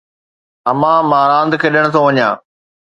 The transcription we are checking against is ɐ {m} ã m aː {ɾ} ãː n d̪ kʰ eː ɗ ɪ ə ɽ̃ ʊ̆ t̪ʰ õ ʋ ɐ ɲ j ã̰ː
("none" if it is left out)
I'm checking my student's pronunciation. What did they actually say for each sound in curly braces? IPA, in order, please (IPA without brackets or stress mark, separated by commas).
m, ɾ